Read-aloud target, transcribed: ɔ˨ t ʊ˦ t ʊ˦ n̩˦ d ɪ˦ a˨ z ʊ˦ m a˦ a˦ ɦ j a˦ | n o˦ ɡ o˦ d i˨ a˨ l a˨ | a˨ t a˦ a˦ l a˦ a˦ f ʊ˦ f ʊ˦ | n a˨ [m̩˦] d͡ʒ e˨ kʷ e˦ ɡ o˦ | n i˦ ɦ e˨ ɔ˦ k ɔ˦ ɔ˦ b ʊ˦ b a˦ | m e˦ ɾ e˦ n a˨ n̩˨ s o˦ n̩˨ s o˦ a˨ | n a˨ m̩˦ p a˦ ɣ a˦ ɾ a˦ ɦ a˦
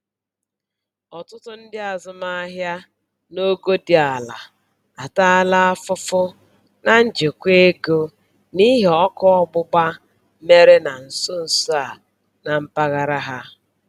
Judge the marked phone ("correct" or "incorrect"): incorrect